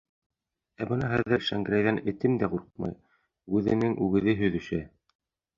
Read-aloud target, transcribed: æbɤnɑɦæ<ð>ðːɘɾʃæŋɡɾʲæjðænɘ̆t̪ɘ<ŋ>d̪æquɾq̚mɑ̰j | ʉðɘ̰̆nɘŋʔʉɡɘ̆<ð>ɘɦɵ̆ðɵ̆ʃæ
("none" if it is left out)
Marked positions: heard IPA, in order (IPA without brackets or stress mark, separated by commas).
ð, m, ð